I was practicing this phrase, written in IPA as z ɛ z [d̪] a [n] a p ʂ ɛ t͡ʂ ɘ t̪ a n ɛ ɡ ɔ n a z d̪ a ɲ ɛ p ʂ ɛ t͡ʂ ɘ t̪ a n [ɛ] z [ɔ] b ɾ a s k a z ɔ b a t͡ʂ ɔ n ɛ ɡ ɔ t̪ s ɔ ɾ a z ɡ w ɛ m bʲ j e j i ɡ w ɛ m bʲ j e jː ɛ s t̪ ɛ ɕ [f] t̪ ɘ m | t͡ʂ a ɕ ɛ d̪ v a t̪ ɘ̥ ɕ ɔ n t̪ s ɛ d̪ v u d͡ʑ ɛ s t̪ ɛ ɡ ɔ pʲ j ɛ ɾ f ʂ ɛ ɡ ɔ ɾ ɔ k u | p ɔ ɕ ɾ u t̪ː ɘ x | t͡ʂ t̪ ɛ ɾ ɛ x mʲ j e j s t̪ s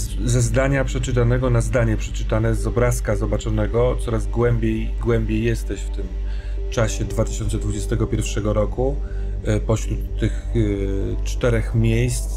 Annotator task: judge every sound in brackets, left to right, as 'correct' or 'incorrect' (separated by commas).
correct, incorrect, correct, correct, correct